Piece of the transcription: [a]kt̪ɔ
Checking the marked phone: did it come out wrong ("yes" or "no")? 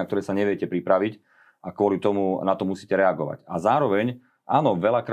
no